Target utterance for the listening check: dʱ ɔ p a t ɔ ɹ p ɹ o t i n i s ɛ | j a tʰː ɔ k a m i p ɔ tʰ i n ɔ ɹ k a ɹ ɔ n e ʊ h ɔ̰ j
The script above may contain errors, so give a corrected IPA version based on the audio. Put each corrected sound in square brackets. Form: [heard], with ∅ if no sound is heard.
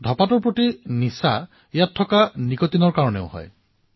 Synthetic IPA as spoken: dʱ ɔ p a t ɔ ɹ p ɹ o t i n i s [a] | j a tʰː ɔ k a [n] i [k] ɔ [t] i n ɔ ɹ k a ɹ ɔ n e ʊ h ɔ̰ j